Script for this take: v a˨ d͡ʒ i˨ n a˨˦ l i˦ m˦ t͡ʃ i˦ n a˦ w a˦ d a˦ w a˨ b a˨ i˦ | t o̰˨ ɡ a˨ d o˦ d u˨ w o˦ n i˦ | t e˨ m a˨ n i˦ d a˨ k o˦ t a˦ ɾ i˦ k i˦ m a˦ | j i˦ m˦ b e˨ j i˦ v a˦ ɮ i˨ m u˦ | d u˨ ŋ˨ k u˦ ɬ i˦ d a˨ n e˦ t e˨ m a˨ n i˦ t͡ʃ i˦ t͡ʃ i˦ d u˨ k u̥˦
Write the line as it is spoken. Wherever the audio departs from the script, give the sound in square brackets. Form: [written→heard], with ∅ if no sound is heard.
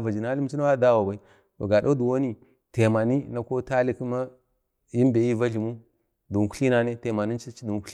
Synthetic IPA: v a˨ d͡ʒ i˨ n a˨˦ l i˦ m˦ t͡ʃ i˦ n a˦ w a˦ d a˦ w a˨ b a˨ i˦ | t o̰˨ ɡ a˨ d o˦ d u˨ w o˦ n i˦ | t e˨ m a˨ n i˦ [d→n] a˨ k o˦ t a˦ [ɾ→l] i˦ k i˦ m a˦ | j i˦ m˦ b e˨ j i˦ v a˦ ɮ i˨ m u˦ | d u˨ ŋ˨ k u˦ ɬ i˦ [d→n] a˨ n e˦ t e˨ m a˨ n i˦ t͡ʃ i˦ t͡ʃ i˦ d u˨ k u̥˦